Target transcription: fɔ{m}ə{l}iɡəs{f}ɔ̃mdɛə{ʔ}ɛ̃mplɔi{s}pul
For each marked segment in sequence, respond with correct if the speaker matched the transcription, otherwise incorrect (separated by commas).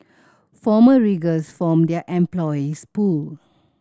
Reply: correct, incorrect, correct, correct, correct